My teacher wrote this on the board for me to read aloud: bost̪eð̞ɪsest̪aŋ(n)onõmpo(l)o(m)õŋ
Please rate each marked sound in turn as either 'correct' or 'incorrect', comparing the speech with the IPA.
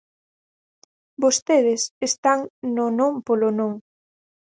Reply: correct, correct, incorrect: n

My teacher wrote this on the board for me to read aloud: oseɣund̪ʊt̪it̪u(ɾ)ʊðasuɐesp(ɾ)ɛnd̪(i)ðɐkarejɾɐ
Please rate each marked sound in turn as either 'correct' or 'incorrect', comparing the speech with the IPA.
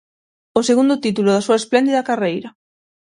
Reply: incorrect: l, incorrect: l, correct

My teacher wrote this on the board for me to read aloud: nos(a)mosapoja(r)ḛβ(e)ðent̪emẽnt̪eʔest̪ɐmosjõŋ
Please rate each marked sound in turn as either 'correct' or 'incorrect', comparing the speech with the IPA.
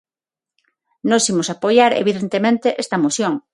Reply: incorrect: i, incorrect: ɾ, incorrect: i

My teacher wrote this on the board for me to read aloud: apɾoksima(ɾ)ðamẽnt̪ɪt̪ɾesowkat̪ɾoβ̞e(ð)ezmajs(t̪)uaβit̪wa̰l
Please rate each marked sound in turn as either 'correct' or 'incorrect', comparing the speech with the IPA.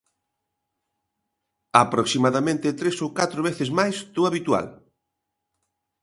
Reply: incorrect: none, incorrect: θ, correct

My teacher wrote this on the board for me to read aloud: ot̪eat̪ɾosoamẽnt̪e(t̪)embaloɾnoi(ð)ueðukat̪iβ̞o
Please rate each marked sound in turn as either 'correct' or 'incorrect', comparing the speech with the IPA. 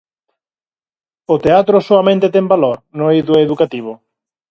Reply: correct, correct

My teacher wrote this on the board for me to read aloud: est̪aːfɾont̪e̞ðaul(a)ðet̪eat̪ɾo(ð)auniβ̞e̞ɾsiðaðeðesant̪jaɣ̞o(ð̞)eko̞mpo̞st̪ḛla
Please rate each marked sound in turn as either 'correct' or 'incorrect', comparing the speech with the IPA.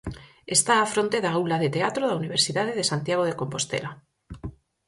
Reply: correct, correct, correct

